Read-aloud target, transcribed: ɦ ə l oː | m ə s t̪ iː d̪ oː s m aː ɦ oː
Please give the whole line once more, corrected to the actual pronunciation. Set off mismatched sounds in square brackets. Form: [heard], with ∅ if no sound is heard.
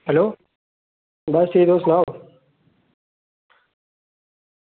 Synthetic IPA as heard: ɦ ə l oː | [b] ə s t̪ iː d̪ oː s [n] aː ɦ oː